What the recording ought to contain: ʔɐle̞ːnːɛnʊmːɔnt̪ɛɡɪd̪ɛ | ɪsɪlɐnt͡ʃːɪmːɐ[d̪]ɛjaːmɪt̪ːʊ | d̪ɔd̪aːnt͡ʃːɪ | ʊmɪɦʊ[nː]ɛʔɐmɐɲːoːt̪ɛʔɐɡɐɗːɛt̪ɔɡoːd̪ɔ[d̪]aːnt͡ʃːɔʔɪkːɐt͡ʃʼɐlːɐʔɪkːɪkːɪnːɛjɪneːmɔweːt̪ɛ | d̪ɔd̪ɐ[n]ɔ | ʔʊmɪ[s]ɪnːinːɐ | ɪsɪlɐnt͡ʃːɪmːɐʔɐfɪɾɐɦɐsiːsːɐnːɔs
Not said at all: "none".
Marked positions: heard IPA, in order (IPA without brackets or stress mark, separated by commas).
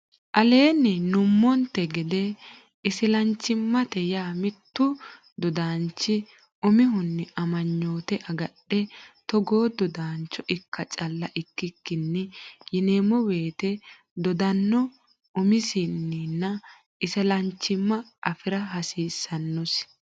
t̪, nː, d̪, nː, s